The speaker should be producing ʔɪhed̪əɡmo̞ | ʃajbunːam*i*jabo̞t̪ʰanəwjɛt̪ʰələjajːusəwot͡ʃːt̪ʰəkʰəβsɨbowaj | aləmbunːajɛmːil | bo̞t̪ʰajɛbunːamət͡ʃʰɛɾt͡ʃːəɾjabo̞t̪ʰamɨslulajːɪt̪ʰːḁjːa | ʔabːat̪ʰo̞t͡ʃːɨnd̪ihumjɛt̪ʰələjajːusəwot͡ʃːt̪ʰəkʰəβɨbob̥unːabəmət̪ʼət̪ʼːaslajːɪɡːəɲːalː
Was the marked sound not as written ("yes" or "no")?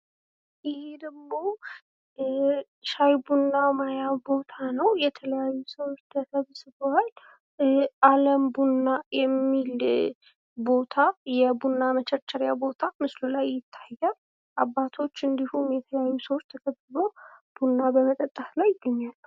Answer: yes